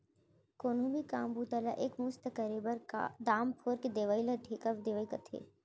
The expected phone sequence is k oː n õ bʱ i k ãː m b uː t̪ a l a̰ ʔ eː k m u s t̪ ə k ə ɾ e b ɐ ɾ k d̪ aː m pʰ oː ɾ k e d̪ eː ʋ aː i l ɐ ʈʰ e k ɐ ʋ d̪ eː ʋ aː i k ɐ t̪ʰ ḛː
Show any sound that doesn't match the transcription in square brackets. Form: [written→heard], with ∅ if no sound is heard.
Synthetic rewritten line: k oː n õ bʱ i k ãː m b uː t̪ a l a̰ ʔ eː k m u s t̪ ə k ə ɾ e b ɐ ɾ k d̪ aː m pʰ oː ɾ k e d̪ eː ʋ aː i l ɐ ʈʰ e k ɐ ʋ d̪ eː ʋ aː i k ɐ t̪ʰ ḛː